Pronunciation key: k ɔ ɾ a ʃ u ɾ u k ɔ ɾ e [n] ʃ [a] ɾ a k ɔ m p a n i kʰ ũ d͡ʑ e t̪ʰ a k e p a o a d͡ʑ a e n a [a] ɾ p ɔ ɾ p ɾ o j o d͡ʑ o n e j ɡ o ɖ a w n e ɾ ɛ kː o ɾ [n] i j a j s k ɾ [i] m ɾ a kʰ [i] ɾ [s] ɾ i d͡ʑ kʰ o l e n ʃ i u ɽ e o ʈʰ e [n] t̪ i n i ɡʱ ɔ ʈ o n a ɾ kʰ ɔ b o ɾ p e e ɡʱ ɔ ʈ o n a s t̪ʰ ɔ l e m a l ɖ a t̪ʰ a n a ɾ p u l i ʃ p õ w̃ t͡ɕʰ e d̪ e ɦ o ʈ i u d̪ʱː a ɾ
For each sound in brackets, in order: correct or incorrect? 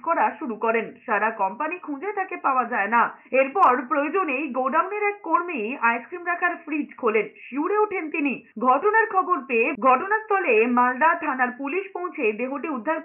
correct, correct, incorrect, incorrect, correct, incorrect, incorrect, correct

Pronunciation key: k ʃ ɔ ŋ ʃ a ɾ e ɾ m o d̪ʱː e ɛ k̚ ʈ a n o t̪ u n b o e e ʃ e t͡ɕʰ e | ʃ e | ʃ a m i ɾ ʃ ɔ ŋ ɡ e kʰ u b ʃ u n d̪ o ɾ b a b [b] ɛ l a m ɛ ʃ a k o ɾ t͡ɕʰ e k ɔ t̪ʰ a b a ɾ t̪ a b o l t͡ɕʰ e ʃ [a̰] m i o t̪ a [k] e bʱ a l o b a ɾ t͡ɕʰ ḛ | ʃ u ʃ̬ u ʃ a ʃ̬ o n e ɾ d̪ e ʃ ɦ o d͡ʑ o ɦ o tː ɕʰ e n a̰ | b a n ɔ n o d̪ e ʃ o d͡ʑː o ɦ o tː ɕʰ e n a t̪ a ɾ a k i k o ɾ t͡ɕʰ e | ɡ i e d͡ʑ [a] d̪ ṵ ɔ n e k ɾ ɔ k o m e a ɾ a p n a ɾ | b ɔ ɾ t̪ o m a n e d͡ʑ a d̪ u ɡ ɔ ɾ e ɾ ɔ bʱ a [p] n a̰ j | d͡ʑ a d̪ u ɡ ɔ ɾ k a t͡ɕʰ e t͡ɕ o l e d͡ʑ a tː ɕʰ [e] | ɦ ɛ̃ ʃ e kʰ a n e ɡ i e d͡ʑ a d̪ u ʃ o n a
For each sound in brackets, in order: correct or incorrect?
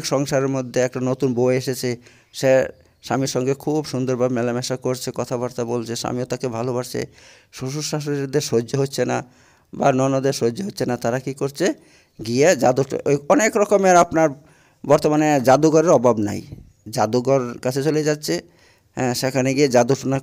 incorrect, correct, correct, correct, incorrect, correct

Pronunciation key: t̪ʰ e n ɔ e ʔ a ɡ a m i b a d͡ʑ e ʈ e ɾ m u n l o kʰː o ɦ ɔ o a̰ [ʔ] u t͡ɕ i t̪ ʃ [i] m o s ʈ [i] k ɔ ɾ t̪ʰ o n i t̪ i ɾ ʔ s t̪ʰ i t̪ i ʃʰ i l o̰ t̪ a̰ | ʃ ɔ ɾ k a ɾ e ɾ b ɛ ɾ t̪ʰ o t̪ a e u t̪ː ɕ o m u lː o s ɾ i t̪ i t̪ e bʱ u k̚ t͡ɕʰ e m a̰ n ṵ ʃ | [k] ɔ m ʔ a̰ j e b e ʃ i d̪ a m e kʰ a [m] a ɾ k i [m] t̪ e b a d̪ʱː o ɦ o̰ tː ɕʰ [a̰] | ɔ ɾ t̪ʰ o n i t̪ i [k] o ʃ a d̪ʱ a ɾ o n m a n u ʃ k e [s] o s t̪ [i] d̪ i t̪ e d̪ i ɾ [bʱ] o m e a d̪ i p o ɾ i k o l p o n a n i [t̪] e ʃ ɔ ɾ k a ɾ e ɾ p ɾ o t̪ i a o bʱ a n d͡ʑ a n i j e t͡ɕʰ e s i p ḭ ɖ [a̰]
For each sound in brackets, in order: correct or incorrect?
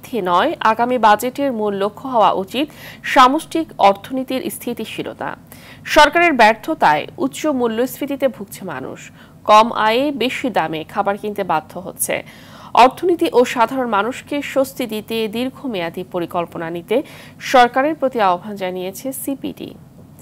correct, incorrect, correct, correct, incorrect, incorrect, incorrect, incorrect, incorrect, correct, incorrect, correct, incorrect

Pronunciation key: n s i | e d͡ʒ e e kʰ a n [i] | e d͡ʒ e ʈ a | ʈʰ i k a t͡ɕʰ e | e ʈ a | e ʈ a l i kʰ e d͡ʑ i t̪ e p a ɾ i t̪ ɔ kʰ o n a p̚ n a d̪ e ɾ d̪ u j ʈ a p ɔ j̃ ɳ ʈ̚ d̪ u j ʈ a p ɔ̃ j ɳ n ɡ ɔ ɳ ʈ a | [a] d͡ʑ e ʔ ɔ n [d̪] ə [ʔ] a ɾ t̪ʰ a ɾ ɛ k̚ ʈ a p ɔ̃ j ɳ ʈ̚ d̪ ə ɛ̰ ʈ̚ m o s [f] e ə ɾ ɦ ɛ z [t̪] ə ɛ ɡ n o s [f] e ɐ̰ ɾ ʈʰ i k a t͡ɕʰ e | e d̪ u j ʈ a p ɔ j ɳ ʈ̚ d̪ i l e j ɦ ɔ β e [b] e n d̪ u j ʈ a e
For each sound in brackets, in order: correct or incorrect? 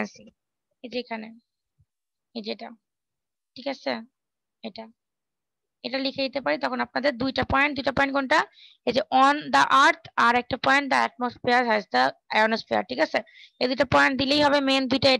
incorrect, incorrect, correct, correct, correct, incorrect, correct, incorrect

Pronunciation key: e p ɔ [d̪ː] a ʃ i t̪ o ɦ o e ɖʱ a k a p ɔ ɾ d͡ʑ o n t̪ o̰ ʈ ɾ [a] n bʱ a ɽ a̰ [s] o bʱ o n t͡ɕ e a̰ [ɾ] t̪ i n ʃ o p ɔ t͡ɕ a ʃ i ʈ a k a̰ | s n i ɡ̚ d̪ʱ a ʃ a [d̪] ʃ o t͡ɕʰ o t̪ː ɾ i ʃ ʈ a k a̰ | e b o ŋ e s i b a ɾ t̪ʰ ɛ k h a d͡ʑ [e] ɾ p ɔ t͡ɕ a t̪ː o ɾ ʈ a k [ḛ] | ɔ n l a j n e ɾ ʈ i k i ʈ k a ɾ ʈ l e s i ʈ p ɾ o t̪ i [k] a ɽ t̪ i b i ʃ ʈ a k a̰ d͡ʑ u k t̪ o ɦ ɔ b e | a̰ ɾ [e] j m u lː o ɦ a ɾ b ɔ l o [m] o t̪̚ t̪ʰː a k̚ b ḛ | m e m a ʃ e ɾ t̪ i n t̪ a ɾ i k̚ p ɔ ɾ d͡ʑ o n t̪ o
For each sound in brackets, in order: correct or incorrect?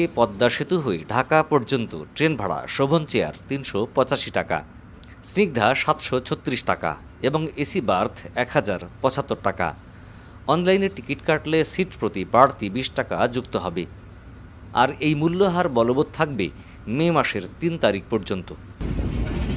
correct, incorrect, incorrect, correct, incorrect, incorrect, incorrect, incorrect, correct, incorrect

